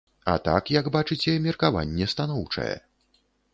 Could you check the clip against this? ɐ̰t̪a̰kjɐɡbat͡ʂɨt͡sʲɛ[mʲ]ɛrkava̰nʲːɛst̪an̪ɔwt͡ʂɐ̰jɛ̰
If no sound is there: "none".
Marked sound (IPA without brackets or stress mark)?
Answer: mʲ